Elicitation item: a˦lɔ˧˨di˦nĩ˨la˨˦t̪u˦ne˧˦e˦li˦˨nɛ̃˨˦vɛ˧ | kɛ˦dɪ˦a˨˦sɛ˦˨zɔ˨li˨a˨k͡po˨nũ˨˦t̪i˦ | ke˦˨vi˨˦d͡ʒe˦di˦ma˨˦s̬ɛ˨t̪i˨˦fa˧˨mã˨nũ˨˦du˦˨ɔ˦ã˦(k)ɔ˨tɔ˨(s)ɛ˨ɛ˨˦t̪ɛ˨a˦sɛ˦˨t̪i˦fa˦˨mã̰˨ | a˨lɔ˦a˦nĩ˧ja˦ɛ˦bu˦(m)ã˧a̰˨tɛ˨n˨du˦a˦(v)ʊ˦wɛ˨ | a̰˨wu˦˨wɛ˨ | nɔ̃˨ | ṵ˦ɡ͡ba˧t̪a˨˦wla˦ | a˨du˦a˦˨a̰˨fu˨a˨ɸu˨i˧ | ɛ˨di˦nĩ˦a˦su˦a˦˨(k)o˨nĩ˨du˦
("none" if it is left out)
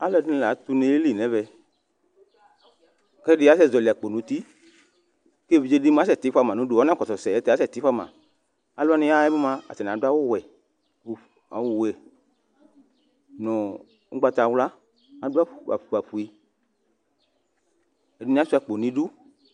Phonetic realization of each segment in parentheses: k, s, m, w, k͡p

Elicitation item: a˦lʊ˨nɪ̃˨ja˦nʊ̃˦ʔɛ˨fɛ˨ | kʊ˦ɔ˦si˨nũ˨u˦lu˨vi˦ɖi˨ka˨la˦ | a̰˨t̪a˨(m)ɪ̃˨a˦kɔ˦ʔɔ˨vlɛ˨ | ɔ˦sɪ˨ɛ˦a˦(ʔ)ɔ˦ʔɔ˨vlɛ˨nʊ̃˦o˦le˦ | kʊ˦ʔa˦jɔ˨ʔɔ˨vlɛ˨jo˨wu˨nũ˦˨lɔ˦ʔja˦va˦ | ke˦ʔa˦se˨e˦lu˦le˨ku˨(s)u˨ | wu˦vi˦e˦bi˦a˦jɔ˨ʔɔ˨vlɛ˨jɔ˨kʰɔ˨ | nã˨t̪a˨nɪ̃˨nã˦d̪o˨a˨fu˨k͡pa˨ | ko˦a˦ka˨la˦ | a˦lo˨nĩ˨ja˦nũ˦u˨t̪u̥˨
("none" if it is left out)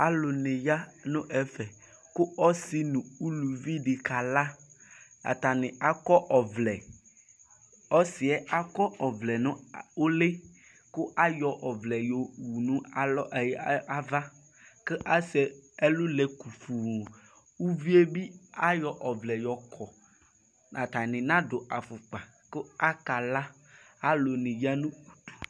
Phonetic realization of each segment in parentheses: n, k, f

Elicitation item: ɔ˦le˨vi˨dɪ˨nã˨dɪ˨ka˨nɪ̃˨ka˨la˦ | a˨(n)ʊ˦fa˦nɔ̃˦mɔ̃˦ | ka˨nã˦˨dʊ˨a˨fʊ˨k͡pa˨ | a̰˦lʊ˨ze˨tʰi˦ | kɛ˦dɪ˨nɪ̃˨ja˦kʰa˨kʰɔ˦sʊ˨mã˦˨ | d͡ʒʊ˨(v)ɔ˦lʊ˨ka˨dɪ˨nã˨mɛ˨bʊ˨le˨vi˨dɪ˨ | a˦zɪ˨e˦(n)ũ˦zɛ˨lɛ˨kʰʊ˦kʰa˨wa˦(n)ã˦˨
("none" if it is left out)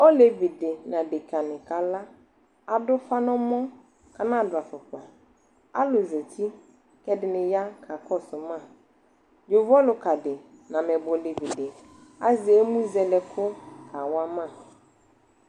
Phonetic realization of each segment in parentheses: d, v, m, m

